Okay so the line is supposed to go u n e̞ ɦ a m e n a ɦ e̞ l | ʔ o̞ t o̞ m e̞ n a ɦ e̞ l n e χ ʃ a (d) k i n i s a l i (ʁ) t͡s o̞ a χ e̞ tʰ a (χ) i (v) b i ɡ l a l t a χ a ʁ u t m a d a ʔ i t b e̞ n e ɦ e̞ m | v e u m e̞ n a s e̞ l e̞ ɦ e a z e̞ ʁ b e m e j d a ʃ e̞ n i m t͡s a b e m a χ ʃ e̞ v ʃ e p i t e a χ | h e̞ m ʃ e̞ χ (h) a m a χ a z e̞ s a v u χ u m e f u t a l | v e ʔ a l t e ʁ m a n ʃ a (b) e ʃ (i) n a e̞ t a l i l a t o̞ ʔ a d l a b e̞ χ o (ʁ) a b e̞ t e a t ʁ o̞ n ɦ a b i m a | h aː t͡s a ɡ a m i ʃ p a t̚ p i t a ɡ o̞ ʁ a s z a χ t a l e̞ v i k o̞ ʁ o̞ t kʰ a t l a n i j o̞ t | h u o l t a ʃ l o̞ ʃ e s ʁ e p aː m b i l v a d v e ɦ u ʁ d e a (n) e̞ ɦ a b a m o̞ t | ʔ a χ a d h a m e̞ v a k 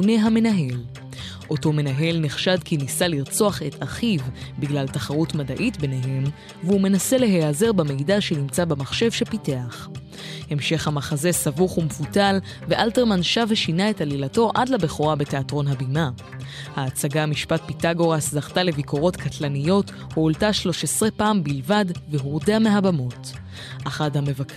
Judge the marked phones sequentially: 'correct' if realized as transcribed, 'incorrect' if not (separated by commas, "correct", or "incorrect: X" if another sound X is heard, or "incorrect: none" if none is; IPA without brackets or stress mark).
correct, correct, correct, correct, correct, incorrect: v, correct, correct, incorrect: m